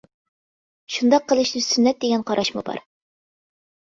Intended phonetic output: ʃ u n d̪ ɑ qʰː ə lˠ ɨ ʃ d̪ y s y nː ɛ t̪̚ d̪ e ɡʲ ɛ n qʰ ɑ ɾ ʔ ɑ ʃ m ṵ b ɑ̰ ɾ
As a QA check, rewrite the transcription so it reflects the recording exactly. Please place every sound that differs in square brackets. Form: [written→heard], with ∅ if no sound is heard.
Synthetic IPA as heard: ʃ u n d̪ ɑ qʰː ə lˠ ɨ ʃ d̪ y s y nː ɛ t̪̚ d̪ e ɡʲ ɛ n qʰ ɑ ɾ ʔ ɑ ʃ m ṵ b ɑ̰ ɾ